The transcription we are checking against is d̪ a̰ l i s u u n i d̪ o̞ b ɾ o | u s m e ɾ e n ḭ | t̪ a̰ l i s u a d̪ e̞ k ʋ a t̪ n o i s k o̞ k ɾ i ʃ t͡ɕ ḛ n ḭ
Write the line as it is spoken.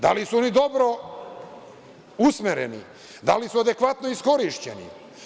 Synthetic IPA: d̪ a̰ l i s u o n i d̪ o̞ b ɾ o | u s m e ɾ e n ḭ | d̪ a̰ l i s u a d̪ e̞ k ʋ a t̪ n o i s k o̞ ɾ i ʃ t͡ɕ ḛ n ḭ